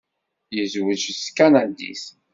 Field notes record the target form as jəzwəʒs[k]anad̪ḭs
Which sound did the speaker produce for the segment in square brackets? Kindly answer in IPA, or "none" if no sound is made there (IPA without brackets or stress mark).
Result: k